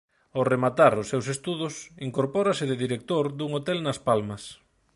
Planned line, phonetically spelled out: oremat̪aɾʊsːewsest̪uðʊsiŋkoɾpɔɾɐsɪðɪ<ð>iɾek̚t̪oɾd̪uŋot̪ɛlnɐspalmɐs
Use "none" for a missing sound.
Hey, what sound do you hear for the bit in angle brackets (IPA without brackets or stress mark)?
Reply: ð